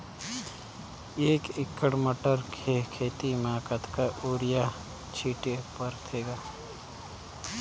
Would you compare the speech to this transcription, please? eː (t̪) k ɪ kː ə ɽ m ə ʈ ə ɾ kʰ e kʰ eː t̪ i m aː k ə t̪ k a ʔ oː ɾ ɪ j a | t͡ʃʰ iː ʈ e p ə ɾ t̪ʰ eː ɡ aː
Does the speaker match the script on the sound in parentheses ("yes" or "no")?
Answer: no